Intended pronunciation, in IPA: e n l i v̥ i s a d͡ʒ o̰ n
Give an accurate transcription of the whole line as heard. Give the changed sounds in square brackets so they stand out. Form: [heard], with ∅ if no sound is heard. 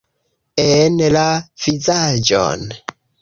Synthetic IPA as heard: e n l [a] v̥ i [z] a d͡ʒ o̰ n

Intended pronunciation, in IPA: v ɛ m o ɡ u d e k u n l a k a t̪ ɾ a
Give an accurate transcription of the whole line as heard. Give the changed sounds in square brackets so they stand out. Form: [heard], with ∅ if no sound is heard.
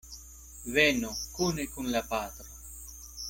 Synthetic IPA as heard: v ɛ [n] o [k] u [n] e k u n l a [p] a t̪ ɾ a

